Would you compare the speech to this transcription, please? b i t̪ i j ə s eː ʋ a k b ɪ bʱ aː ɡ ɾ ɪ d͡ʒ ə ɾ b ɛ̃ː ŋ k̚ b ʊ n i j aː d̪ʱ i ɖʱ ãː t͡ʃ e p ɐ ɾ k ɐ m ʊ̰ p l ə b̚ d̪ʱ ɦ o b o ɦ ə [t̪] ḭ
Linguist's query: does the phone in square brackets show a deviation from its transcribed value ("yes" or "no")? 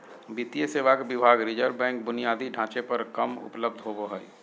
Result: yes